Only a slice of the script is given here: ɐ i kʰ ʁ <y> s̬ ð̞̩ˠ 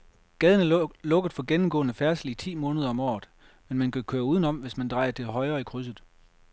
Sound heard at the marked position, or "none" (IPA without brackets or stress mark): y